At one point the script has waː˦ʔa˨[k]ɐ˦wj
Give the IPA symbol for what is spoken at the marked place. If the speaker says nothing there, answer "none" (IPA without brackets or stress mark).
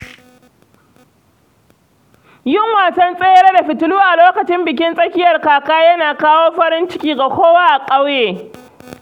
kʼ